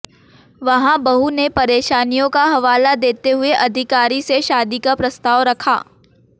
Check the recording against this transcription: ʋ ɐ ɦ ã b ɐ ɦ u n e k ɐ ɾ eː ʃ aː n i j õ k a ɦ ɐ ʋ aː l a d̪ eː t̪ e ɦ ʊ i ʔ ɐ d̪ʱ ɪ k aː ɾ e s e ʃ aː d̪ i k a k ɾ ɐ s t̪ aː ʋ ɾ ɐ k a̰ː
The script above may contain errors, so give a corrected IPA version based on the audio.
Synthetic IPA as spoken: ʋ ɐ ɦ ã b ɐ ɦ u n e p ɐ ɾ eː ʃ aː n i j õ k a ɦ ɐ ʋ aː l a d̪ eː t̪ e ɦ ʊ e ʔ ɐ d̪ʱ ɪ k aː ɾ i s e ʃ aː d̪ i k a p ɾ ɐ s t̪ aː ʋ ɾ ɐ kʰ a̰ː

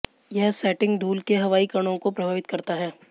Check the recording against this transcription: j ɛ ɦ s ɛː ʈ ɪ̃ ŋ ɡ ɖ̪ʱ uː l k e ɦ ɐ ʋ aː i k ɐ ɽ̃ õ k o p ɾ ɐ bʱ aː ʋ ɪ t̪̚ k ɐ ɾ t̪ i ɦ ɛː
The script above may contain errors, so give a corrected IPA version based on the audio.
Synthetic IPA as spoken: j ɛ ɦ s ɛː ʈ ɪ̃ ŋ ɡ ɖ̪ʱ uː l k e ɦ ɐ ʋ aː i k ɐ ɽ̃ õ k o p ɾ ɐ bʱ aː ʋ ɪ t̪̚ k ɐ ɾ t̪ a ɦ ɛː

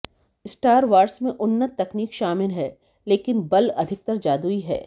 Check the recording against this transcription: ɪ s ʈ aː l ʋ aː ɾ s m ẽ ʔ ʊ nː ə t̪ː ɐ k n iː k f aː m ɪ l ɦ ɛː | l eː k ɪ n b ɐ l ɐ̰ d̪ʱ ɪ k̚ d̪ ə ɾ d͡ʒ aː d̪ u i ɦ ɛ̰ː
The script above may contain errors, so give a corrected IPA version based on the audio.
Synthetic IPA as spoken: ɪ s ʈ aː ɾ ʋ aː ɾ s m ẽ ʔ ʊ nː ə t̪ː ɐ k n iː k ʃ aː m ɪ l ɦ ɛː | l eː k ɪ n b ɐ l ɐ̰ d̪ʱ ɪ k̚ t̪ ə ɾ d͡ʒ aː d̪ u i ɦ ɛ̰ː

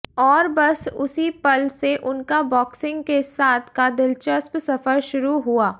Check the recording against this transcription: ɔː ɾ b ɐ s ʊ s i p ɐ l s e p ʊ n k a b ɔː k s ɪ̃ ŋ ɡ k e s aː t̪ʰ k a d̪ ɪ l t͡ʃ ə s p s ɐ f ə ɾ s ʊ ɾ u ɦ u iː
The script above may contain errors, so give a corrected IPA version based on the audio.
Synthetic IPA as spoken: ɔː ɾ b ɐ s ʊ s i p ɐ l s e ʔ ʊ n k a b ɔː k s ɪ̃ ŋ ɡ k e s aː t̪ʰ k a d̪ ɪ l t͡ʃ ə s p s ɐ f ə ɾ ʃ ʊ ɾ u ɦ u aː

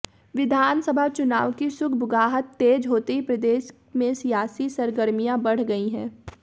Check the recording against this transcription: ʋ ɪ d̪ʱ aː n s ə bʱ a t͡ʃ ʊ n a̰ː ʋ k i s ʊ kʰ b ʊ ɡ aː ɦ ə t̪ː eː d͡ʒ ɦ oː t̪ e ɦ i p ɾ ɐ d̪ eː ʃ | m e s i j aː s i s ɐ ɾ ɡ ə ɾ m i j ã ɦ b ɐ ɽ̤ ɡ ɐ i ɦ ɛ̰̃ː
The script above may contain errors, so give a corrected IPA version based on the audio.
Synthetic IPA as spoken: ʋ ɪ d̪ʱ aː n s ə bʱ a t͡ʃ ʊ n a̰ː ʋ k i s ʊ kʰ b ʊ ɡ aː ɦ ə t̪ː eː d͡ʒ ɦ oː t̪ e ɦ i p ɾ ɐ d̪ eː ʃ | m ẽ s i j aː s i s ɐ ɾ ɡ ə ɾ m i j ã b ɐ ɽ̤ ɡ ɐ i ɦ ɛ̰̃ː

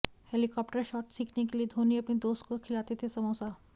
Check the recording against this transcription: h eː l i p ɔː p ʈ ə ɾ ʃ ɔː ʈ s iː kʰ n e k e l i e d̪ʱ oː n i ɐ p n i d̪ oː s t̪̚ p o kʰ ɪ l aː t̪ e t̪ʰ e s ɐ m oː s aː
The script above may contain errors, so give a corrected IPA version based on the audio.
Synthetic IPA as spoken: h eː l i k ɔː p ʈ ə ɾ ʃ ɔː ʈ s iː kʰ n e k e l i e d̪ʱ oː n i ɐ p n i d̪ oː s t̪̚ k o kʰ ɪ l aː t̪ e t̪ʰ e s ɐ m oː s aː

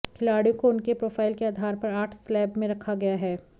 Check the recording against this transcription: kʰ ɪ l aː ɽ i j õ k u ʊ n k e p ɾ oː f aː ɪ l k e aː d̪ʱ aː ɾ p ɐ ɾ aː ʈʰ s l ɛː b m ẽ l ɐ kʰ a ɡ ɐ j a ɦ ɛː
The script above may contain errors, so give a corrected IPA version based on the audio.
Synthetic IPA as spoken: kʰ ɪ l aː ɽ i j õ k o ʊ n k e p ɾ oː f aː ɪ l k e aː d̪ʱ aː ɾ p ɐ ɾ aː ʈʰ s l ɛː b m ẽ ɾ ɐ kʰ a ɡ ɐ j a ɦ ɛː

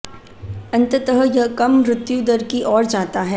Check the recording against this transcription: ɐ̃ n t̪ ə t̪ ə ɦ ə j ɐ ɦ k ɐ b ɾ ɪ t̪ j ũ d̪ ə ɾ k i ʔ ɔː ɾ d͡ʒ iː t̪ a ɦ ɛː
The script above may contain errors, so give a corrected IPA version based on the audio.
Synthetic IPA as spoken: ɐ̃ n t̪ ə t̪ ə ɦ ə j ɐ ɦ k ɐ m ɾ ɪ t̪ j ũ d̪ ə ɾ k i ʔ ɔː ɾ d͡ʒ aː t̪ a ɦ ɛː

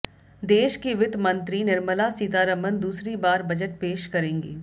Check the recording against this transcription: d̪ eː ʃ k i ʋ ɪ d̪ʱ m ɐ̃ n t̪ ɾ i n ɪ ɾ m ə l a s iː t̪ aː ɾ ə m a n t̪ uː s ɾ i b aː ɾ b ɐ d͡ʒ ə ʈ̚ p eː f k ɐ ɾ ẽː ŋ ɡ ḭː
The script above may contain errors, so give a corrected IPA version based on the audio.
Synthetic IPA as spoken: d̪ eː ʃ k i ʋ ɪ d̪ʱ m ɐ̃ n t̪ ɾ i n ɪ ɾ m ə l a s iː t̪ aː ɾ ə m ə n d̪ uː s ɾ i b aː ɾ b ɐ d͡ʒ ə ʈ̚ p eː ʃ k ɐ ɾ ẽː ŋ ɡ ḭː

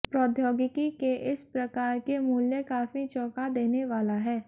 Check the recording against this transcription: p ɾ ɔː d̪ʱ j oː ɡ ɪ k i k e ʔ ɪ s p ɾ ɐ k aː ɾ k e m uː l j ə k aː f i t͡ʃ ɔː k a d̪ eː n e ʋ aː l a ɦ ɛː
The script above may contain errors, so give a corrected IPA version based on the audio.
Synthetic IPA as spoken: p ɾ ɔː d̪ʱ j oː ɡ ɪ k i k e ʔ ɪ s p ɾ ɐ k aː ɾ k e m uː l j ə k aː f i t͡ʃ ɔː k a d̪ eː n e ʋ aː l a ɦ ɛː

